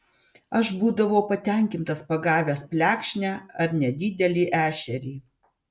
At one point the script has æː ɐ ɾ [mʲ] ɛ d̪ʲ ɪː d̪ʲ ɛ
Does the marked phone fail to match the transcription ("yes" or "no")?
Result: yes